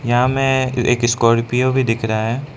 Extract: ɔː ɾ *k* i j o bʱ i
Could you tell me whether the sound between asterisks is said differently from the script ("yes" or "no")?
yes